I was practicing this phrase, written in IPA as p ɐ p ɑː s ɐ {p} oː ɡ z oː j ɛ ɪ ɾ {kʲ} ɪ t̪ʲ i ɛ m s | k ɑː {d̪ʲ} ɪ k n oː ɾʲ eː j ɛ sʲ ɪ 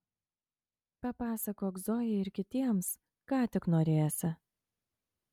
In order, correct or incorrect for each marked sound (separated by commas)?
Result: incorrect, correct, incorrect